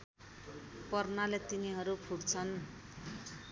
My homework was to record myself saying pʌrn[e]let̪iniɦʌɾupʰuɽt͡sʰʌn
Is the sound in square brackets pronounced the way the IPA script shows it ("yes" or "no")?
no